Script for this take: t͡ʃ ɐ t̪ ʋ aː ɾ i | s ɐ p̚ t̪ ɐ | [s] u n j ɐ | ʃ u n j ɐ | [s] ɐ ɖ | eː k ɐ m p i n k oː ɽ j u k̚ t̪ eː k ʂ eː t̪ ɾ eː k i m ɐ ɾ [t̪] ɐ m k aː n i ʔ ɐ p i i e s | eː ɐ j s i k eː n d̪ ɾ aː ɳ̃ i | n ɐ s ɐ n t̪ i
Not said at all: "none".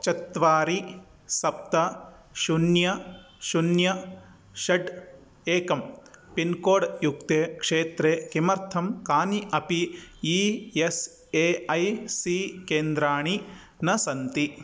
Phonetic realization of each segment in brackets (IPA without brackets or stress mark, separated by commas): ʃ, ʃ, t̪ʰ